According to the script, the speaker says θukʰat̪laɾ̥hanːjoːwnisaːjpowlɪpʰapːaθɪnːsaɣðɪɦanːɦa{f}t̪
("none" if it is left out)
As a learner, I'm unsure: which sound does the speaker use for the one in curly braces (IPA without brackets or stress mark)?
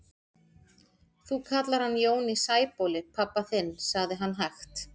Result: x